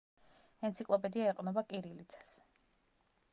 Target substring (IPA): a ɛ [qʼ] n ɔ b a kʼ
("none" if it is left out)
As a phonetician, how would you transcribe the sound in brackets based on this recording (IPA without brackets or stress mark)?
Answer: qʼ